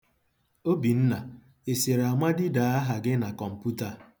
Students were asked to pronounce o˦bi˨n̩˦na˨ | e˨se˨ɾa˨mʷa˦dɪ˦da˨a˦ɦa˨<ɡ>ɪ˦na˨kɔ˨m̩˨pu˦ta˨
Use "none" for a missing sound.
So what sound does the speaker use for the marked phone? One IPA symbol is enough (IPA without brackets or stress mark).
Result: ɡ